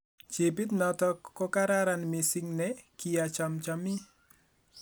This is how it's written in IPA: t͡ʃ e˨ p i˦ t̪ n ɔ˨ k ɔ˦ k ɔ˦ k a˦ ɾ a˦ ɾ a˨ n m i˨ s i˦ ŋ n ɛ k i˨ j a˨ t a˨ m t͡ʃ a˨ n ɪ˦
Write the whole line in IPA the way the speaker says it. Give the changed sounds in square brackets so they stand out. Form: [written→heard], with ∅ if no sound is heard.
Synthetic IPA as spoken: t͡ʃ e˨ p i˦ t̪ n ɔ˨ [k→t] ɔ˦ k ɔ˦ k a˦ ɾ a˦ ɾ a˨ n m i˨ s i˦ ŋ n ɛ k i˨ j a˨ [t→t͡ʃ] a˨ m t͡ʃ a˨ [n→m] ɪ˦